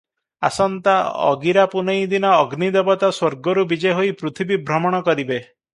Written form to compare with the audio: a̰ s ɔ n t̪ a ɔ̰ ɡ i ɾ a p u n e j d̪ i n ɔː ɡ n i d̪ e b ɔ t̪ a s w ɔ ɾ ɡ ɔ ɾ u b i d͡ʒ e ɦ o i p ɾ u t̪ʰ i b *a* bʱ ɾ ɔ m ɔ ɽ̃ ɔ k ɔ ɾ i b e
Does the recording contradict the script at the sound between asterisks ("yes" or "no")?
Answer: yes